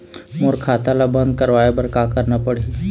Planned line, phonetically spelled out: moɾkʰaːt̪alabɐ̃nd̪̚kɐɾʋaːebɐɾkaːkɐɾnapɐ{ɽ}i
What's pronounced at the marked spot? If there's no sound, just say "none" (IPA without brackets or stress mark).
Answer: ɽ